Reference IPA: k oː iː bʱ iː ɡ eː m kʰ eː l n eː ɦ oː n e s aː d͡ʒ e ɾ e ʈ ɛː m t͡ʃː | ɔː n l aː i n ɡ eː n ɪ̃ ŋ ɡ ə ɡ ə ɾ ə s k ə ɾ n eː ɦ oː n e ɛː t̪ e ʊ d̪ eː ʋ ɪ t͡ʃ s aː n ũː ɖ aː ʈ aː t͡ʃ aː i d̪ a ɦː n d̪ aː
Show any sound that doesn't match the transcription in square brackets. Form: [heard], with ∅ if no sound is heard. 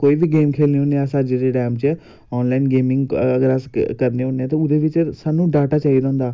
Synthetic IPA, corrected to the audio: k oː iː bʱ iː ɡ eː m kʰ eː l n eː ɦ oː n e s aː d͡ʒ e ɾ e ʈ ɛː m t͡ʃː | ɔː n l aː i n ɡ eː [m] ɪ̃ ŋ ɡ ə ɡ ə ɾ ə s k ə ɾ n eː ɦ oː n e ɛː t̪ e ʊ d̪ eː ʋ ɪ t͡ʃ s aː n ũː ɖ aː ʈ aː t͡ʃ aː i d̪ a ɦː n d̪ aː